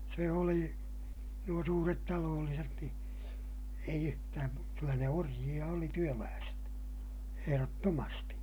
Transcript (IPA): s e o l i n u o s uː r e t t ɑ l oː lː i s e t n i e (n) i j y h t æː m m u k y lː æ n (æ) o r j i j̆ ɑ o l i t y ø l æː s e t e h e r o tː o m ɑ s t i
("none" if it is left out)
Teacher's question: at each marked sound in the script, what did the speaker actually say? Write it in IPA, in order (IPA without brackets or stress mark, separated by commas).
none, e